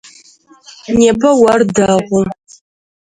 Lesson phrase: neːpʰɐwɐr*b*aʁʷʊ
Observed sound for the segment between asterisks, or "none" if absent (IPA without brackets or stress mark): d